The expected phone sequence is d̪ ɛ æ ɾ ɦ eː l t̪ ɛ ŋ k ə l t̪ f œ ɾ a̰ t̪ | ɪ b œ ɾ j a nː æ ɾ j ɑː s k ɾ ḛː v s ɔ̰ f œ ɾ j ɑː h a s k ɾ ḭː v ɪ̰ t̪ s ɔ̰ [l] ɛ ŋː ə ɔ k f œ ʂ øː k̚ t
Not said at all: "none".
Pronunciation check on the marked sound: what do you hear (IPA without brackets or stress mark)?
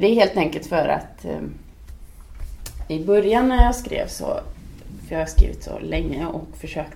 l